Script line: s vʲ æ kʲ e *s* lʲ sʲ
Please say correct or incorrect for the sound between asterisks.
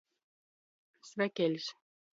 incorrect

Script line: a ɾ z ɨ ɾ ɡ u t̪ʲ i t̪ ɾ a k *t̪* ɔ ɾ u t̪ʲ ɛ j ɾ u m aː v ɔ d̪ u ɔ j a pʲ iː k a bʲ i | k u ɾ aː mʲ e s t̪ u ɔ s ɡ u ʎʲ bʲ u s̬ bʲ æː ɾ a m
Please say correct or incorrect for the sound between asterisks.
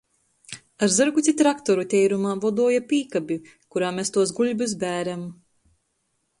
correct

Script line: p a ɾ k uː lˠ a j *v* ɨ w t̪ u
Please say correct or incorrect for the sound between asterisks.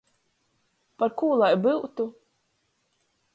incorrect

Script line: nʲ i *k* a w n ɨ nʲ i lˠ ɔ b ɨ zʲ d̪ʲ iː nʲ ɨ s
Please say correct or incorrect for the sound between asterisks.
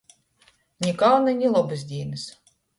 correct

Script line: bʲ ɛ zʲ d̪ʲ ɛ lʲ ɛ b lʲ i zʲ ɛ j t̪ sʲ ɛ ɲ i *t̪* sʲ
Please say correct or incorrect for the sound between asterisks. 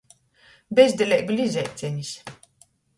incorrect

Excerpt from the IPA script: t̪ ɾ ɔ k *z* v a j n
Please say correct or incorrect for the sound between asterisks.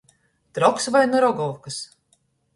incorrect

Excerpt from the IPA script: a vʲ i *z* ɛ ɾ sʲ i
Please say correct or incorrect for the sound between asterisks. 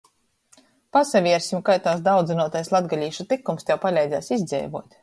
incorrect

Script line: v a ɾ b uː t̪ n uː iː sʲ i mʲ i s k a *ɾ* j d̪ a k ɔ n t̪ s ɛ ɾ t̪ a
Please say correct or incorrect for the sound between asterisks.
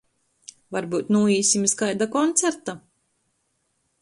incorrect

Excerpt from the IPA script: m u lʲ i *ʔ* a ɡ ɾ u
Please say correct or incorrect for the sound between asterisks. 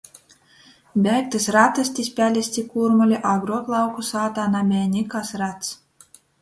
correct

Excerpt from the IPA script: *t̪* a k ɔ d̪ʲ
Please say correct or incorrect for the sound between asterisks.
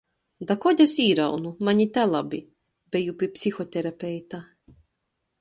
incorrect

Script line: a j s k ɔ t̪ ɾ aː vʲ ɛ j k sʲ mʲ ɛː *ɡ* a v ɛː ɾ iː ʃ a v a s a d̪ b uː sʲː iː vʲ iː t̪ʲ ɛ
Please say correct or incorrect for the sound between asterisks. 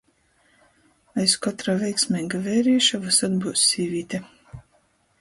correct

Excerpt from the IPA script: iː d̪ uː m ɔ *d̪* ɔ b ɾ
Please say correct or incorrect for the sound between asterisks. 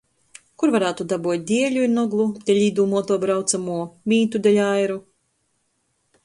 incorrect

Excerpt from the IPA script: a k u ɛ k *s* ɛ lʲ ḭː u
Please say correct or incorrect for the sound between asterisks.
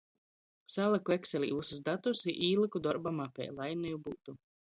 correct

